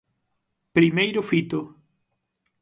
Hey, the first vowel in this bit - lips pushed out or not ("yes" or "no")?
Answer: no